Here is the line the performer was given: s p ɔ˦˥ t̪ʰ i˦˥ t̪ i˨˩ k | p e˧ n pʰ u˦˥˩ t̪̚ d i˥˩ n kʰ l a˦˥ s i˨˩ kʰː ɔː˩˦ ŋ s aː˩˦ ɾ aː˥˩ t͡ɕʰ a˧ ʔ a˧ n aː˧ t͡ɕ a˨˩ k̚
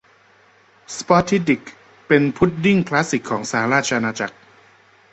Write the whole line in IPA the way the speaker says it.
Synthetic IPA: s p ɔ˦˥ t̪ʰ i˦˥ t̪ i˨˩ k | p e˧ n pʰ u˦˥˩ t̪̚ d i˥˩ ŋ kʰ l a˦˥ s i˨˩ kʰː ɔː˩˦ ŋ s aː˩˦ ɾ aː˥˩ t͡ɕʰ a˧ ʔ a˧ n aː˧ t͡ɕ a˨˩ k̚